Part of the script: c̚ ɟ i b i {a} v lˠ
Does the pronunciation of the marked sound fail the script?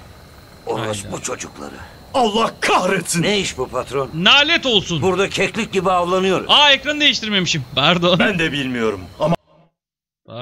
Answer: no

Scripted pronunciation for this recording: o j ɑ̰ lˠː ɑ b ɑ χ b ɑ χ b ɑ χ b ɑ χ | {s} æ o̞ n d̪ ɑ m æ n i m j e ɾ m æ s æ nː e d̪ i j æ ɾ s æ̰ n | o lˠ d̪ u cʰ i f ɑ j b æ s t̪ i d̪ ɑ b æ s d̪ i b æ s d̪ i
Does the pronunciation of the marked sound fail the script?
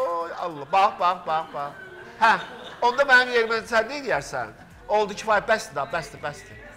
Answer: yes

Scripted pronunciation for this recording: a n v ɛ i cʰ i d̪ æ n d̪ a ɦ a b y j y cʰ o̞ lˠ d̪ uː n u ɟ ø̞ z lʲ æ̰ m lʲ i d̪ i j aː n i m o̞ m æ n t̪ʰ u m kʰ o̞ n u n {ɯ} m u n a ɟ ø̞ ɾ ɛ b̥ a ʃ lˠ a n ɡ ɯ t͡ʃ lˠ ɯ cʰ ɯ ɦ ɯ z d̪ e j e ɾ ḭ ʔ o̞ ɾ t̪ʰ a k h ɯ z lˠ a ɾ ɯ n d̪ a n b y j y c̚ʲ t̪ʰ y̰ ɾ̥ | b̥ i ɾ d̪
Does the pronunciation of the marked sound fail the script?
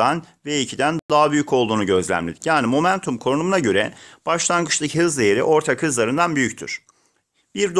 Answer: yes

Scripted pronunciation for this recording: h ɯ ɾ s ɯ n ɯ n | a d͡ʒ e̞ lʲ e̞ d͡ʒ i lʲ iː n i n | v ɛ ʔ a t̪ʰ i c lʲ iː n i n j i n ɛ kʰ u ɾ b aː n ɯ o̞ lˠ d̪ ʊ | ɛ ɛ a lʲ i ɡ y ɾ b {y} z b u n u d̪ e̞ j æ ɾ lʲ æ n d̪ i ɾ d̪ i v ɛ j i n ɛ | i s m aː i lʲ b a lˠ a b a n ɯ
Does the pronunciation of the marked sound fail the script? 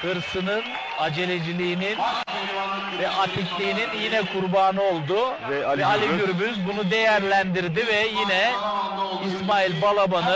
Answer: no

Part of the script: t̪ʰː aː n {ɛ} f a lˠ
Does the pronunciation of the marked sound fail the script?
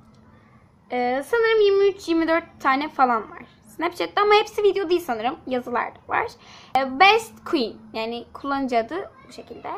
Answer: no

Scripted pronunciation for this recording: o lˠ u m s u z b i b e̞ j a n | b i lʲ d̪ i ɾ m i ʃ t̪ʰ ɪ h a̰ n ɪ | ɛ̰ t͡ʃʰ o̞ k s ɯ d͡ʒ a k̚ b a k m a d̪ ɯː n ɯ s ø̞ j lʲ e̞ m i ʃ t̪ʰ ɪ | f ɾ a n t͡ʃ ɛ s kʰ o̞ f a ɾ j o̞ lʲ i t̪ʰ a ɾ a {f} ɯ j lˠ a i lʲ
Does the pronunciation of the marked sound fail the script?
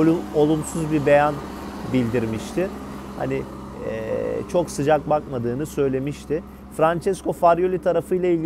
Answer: no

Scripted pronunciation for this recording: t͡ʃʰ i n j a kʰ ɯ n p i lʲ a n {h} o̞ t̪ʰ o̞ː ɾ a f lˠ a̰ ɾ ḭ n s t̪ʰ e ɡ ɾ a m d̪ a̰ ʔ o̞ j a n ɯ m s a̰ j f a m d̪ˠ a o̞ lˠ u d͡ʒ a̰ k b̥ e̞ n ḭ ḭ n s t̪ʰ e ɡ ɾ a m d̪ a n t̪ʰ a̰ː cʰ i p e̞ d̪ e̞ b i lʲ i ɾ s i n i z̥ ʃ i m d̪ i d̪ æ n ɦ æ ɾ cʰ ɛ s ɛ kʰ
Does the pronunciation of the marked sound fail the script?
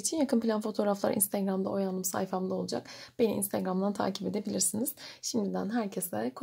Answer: yes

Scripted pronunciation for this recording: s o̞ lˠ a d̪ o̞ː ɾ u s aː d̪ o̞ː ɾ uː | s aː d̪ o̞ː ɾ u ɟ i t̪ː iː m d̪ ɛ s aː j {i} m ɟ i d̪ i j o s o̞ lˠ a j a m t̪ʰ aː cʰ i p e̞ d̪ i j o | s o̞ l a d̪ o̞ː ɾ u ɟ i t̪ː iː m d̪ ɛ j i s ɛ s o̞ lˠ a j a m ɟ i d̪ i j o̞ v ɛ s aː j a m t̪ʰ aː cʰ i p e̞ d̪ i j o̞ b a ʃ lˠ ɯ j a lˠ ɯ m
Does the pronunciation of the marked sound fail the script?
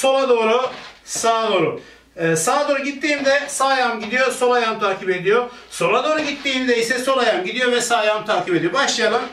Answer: yes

